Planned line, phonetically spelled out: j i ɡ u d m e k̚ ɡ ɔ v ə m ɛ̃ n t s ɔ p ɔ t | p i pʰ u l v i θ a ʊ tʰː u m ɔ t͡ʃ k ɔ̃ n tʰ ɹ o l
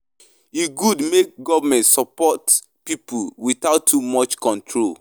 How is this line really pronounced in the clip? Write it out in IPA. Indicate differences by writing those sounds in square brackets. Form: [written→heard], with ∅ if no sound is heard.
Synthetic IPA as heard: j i ɡ u d m e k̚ ɡ ɔ v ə m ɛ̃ n t s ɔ p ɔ t | p i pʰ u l [v→w] i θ a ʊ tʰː u m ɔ t͡ʃ k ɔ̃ n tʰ ɹ o l